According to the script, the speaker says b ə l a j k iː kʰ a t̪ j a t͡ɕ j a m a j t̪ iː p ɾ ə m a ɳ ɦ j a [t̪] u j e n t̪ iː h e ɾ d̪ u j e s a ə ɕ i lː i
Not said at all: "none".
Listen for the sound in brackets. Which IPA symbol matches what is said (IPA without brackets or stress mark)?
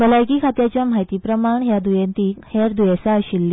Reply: d̪